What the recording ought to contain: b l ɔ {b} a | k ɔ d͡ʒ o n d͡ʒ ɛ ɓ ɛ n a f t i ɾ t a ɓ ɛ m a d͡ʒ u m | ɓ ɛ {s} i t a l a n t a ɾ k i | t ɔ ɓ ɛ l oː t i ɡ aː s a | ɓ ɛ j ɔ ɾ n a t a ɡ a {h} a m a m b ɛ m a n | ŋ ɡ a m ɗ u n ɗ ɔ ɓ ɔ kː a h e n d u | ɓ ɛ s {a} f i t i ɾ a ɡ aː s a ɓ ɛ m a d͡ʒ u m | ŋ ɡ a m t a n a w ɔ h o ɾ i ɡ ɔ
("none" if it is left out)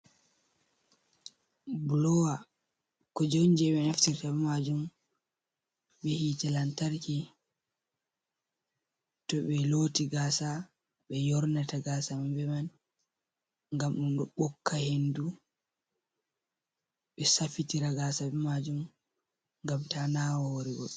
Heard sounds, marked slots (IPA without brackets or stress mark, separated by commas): w, h, s, a